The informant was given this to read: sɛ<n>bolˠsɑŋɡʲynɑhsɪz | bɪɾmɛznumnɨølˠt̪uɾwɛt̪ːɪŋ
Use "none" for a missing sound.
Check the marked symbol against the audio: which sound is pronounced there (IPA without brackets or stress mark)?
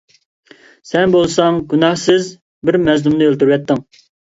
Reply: n